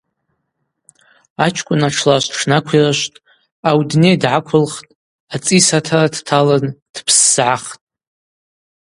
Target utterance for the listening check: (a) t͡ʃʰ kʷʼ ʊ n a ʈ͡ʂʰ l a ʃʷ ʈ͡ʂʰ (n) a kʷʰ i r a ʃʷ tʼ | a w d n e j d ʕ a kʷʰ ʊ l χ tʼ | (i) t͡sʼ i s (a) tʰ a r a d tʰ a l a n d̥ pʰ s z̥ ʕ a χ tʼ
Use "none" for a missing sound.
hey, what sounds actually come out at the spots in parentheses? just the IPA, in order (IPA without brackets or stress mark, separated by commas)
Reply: a, n, a, a